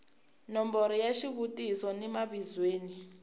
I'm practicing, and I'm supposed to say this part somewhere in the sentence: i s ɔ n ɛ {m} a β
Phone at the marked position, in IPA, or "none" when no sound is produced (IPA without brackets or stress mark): m